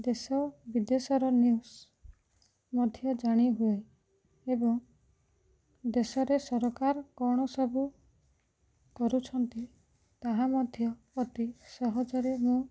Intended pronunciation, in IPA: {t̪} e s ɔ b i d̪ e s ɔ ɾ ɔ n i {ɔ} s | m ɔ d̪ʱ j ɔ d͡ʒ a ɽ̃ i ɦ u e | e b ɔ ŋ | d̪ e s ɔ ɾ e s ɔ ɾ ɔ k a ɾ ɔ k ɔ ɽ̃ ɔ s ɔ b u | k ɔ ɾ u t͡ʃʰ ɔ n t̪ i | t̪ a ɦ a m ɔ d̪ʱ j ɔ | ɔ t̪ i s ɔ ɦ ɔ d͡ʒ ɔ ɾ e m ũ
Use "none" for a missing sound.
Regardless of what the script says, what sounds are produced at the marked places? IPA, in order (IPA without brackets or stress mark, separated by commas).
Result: d̪, u